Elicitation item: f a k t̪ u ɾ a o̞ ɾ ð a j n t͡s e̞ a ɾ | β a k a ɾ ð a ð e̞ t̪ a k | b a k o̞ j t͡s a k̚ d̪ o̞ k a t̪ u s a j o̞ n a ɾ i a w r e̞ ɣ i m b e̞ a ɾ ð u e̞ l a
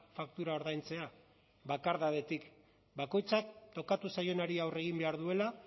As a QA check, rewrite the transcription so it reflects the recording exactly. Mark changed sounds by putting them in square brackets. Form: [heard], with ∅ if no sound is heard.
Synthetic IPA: f a k t̪ u ɾ a o̞ ɾ ð a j n t͡s e̞ a [∅] | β a k a ɾ ð a ð e̞ t̪ [i] k | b a k o̞ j t͡s a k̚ [t̪] o̞ k a t̪ u s a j o̞ n a ɾ i a w r e̞ ɣ i m b e̞ a ɾ ð u e̞ l a

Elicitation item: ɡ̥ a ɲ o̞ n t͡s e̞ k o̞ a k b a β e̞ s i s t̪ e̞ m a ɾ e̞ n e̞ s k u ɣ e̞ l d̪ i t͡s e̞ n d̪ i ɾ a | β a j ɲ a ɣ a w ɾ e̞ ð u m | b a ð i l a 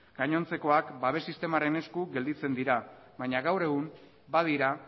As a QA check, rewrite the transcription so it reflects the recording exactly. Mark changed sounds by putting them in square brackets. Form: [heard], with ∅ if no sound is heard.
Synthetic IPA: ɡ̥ a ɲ o̞ n t͡s e̞ k o̞ a k b a β e̞ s i s t̪ e̞ m a ɾ e̞ n e̞ s k u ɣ e̞ l d̪ i t͡s e̞ n d̪ i ɾ a | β a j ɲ a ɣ a w ɾ e̞ [ɣ] u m | b a ð i [ɾ] a

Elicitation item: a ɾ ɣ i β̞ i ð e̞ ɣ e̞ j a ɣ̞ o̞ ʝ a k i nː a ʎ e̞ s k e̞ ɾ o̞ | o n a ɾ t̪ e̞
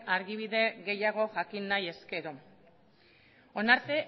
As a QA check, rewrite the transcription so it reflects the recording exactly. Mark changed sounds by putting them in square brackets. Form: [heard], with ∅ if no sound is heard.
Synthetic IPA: a ɾ ɣ i β̞ i ð e̞ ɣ e̞ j a ɣ̞ o̞ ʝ a k i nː a [j] e̞ s k e̞ ɾ o̞ | o n a ɾ t̪ e̞

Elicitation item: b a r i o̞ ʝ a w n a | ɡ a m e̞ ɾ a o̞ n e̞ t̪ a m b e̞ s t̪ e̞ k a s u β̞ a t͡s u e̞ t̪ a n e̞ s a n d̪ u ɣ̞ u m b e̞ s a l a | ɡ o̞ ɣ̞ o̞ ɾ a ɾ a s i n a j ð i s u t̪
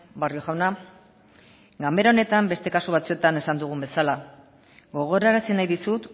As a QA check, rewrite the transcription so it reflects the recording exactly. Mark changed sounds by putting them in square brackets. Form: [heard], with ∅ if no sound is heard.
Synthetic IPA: b a r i o̞ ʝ a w n a | ɡ a m e̞ ɾ a o̞ n e̞ t̪ a m b e̞ s t̪ e̞ k a s u β̞ a t͡s u e̞ t̪ a n e̞ s a n d̪ u ɣ̞ u m b e̞ s a l a | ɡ o̞ ɣ̞ o̞ ɾ a ɾ a s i n a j ð i s u t̪

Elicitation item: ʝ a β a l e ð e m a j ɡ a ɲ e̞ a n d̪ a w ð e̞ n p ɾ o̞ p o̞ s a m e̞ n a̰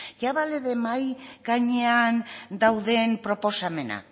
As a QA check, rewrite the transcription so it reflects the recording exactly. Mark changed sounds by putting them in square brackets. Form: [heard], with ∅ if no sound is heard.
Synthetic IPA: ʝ a β a l e ð e m a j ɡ a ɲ e̞ a n d̪ a w ð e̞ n p ɾ o̞ p o̞ s a m e̞ n a̰

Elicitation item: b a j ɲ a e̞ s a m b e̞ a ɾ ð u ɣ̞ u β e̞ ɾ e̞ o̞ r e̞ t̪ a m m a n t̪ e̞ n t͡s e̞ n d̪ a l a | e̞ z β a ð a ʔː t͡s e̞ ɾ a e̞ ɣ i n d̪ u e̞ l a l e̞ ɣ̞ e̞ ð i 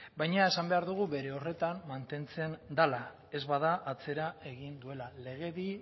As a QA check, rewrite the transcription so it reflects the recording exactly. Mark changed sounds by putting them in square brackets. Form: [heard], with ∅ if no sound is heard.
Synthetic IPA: b a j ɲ a e̞ s a m b e̞ a ɾ ð u ɣ̞ u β e̞ ɾ e̞ o̞ r e̞ t̪ a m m a n t̪ e̞ n t͡s e̞ n d̪ a l a | e̞ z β a ð a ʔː t͡s e̞ ɾ a e̞ ɣ i n d̪ u e̞ l a l e̞ ɣ̞ e̞ ð i

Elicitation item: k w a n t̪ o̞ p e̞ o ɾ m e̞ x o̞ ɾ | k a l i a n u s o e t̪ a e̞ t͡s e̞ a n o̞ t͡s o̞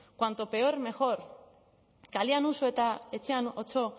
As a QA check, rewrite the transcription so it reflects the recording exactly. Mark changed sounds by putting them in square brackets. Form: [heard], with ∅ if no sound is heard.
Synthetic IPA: k w a n t̪ o̞ p e̞ o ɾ m e̞ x o̞ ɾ | k a l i a n u s o e t̪ a e̞ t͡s e̞ a n o̞ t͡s o̞

